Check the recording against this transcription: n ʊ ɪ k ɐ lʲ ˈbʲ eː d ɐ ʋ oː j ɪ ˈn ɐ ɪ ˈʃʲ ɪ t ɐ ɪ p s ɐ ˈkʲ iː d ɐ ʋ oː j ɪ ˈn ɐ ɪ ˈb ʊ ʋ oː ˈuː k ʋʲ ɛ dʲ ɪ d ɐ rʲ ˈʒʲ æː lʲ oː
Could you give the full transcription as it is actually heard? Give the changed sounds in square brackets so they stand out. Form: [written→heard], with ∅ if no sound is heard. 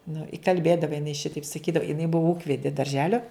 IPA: n ʊ ɪ k ɐ lʲ ˈbʲ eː d ɐ ʋ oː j ɪ ˈn ɐ ɪ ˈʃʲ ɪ t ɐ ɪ p s ɐ ˈkʲ iː d ɐ ʋ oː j ɪ ˈn ɐ ɪ ˈb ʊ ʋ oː ˈuː k ʋʲ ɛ dʲ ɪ d ɐ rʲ ˈʒʲ æː lʲ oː